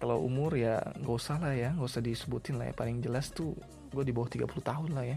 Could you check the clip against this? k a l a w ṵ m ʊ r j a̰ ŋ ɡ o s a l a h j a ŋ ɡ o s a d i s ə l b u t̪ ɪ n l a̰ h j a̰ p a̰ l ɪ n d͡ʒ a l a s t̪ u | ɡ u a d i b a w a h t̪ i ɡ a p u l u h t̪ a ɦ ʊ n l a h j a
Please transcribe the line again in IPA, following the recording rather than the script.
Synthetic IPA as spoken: k a l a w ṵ m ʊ r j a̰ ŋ ɡ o s a l a h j a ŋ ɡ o s a d i s ə b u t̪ ɪ n l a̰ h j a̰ p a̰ l ɪ ŋ d͡ʒ ə l a s t̪ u | ɡ u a d i b a w a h t̪ i ɡ a p u l u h t̪ a ɦ ʊ n l a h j a